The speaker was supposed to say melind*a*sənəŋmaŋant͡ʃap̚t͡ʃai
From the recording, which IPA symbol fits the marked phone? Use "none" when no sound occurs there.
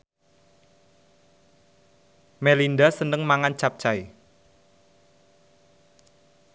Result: a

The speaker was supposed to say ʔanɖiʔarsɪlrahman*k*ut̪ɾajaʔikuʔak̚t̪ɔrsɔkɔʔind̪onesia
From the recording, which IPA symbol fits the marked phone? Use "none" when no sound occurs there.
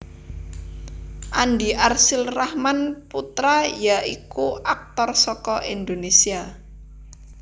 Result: p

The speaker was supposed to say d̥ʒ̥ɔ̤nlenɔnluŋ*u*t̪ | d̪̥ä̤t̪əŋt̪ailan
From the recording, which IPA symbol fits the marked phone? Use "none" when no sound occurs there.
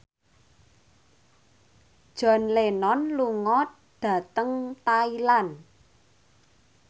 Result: ɔ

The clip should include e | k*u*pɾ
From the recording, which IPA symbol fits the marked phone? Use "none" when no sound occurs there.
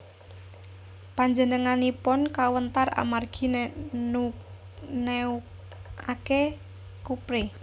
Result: u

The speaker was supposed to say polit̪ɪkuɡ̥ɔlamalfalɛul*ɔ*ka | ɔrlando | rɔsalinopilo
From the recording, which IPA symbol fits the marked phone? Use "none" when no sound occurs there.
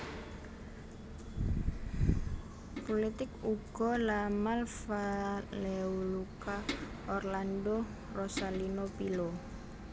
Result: u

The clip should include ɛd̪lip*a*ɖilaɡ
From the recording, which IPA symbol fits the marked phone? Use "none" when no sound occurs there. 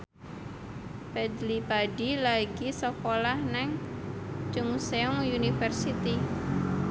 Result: a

